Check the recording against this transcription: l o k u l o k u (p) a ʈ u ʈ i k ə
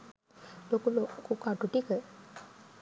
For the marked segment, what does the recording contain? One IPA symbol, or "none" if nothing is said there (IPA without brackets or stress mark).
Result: k